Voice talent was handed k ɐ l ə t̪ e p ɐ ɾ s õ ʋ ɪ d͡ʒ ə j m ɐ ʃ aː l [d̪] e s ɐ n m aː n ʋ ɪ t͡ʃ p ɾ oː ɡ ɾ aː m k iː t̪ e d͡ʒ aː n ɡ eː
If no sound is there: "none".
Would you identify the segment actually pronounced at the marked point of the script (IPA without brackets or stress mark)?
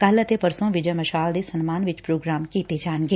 d̪